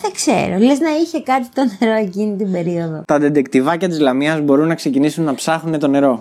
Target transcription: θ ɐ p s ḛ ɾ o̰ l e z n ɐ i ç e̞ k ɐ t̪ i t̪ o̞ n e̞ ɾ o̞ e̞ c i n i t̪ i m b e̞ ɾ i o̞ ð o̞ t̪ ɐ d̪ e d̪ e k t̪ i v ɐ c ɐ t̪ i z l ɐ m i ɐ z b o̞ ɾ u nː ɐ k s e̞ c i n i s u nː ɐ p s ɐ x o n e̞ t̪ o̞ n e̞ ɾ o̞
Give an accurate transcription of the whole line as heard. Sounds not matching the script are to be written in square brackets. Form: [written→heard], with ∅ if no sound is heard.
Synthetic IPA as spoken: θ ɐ [p→k] s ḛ ɾ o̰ l e z n ɐ i ç e̞ k ɐ t̪ i t̪ o̞ n e̞ ɾ o̞ e̞ c i n i t̪ i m b e̞ ɾ i o̞ ð o̞ t̪ ɐ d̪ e d̪ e k t̪ i v ɐ c ɐ t̪ i z l ɐ m i ɐ z b o̞ ɾ u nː ɐ k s e̞ c i n i s u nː ɐ p s ɐ x [o→u] n e̞ t̪ o̞ n e̞ ɾ o̞